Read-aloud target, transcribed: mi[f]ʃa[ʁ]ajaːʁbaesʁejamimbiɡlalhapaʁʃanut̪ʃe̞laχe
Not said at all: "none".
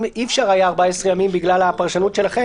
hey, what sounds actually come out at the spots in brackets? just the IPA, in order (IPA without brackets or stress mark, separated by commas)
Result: f, ʁ